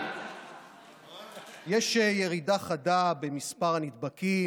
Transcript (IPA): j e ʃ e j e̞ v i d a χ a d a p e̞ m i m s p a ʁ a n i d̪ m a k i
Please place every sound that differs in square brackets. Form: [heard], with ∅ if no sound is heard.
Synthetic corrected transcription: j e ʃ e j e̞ [ʁ] i d a χ a d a [b] e̞ m i [∅] s p a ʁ a n i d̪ [b] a k i